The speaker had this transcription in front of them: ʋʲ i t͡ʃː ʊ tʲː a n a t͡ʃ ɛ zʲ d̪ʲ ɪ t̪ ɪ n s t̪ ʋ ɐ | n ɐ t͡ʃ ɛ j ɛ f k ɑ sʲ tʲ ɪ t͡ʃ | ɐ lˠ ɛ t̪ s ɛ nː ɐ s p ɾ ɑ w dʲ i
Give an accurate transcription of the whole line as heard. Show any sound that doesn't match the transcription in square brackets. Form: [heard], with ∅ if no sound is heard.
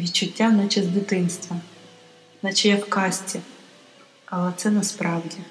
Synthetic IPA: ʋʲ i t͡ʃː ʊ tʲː a n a t͡ʃ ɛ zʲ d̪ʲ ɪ t̪ ɪ n s t̪ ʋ ɐ | n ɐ t͡ʃ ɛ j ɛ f k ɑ sʲ tʲ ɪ [∅] | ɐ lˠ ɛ t̪ s ɛ [n] ɐ s p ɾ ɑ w dʲ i